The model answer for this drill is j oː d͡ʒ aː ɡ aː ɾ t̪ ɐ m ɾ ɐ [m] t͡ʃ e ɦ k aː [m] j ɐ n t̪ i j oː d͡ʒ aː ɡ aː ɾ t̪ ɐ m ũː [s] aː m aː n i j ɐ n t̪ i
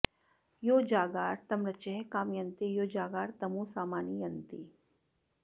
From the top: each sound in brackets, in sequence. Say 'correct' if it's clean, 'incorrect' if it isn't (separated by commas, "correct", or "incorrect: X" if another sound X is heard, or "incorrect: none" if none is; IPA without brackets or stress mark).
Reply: incorrect: none, correct, correct